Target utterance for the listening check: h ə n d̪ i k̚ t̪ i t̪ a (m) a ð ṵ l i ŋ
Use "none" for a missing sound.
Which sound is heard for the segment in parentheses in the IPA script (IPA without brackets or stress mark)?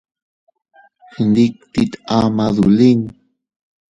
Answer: m